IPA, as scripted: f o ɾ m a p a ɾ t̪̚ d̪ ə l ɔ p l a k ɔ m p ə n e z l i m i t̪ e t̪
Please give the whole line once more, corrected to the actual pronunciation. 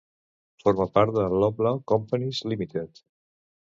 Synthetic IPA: f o ɾ m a p a ɾ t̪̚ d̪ ə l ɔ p l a k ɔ m p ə n i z l i m i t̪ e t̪